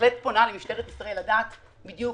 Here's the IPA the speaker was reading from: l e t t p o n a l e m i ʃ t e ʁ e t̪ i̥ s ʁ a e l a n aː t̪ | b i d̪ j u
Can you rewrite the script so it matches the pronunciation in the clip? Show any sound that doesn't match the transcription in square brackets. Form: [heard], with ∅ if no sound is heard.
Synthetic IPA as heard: l e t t p o n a l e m i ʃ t e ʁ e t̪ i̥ s ʁ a e l a [d] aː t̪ | b i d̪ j u